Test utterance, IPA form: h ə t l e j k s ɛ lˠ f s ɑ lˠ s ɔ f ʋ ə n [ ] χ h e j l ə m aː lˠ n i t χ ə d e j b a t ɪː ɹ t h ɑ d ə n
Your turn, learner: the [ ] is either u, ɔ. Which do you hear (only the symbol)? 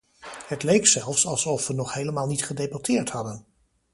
ɔ